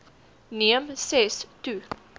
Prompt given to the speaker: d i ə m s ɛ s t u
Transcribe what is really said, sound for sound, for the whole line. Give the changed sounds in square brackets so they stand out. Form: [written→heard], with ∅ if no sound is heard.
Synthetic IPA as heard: [d→n] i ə m s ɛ s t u